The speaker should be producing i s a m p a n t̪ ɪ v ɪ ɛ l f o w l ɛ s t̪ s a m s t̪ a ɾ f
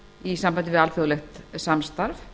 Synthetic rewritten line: i s a m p a n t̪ ɪ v ɪ a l f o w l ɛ x t̪ s a m s t̪ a ɾ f